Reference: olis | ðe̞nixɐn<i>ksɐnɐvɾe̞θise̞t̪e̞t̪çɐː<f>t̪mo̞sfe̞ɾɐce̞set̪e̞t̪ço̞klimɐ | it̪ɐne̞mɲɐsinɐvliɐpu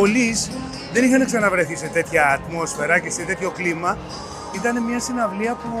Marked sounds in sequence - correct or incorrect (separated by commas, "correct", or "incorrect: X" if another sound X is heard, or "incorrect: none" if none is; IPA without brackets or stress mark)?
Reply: incorrect: e, incorrect: none